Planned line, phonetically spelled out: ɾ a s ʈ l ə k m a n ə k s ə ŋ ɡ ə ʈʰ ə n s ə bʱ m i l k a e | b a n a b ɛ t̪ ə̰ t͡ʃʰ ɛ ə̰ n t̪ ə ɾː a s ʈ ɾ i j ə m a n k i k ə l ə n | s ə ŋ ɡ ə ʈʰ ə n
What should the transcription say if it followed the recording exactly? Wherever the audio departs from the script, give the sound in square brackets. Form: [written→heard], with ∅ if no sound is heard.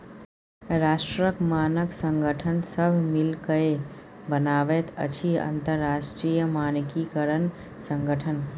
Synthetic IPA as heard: ɾ a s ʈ [l→ɾ] ə k m a n ə k s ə ŋ ɡ ə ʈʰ ə n s ə bʱ m i l k [a→ə] e | b [a→ə] n a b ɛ t̪ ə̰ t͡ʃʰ [ɛ→i] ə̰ n t̪ ə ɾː a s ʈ ɾ i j ə m a n k i k ə [l→ɾ] ə n | s ə ŋ ɡ ə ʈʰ ə n